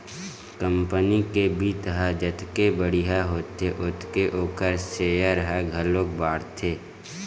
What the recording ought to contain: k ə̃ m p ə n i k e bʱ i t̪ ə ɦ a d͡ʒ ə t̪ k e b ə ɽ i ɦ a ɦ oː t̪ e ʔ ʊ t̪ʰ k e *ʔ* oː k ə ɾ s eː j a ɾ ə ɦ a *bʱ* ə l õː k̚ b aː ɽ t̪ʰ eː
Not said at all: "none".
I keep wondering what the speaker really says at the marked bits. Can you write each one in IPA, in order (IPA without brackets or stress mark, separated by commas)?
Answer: ʔ, ɡʱ